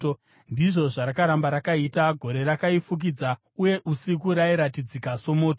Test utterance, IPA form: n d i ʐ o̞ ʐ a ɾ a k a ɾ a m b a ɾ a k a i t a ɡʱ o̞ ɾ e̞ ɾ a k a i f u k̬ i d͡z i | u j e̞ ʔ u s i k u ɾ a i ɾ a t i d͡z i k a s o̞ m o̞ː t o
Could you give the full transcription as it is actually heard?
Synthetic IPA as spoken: n d i ʐ o̞ ʐ a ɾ a k a ɾ a m b a ɾ a k a i t a ɡʱ o̞ ɾ e̞ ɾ a k a i f u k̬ i d͡z a | u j e̞ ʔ u s i k u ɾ a i ɾ a t i d͡z i k a s o̞ m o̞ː t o